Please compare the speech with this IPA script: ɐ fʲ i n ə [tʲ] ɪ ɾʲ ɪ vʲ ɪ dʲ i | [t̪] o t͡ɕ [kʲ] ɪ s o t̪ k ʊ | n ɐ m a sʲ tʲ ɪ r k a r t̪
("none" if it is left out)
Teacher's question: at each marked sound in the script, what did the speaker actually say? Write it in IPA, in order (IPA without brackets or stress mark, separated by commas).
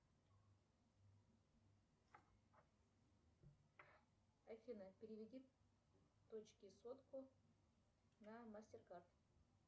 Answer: pʲ, t̪, kʲ